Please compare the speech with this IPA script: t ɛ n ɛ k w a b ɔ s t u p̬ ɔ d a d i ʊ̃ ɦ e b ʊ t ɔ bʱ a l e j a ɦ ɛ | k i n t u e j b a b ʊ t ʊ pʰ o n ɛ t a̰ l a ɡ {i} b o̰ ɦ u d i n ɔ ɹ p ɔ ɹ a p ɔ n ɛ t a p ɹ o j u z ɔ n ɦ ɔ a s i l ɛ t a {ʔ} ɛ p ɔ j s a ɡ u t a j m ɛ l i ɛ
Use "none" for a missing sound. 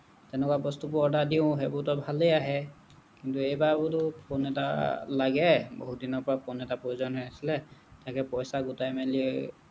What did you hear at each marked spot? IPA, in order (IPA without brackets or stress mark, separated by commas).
ɛ, k